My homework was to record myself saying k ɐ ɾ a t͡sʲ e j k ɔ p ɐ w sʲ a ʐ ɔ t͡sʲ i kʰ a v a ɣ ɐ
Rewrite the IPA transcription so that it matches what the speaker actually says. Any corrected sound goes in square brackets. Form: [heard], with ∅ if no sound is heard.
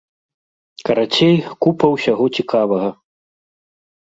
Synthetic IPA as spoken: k ɐ ɾ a t͡sʲ e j k [u] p ɐ w sʲ a [ɣ] ɔ t͡sʲ i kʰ a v [ɐ] ɣ ɐ